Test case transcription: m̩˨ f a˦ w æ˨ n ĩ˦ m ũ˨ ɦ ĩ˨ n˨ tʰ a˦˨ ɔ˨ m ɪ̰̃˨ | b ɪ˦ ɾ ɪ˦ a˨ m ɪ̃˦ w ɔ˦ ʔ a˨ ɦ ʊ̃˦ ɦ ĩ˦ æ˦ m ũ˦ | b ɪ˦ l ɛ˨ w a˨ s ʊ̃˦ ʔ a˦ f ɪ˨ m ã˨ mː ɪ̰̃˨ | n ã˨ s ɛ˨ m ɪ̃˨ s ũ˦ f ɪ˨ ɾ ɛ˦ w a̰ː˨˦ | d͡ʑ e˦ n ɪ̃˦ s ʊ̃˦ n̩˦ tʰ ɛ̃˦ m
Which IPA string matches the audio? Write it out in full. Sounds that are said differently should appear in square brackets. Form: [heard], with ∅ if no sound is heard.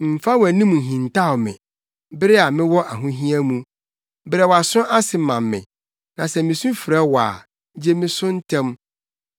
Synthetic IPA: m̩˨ f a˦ w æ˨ n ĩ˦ m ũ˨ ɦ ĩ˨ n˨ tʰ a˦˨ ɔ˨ m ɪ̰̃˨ | b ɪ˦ ɾ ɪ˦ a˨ m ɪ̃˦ w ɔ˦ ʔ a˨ ɦ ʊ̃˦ ɦ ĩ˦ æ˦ m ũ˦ | b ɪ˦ [ɾ] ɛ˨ w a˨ s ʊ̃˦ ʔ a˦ [s] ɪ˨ m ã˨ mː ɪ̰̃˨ | n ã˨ s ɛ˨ m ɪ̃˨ s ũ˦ f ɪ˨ ɾ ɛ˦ w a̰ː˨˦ | d͡ʑ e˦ [m] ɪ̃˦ s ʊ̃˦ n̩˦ tʰ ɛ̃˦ m